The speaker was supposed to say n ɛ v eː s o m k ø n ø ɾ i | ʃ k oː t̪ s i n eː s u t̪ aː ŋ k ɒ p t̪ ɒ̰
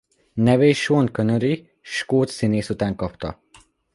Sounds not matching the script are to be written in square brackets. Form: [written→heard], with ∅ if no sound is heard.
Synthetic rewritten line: n ɛ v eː [s→ʃ] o [m→n] k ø n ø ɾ i | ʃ k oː t̪ s i n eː s u t̪ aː ŋ k ɒ p t̪ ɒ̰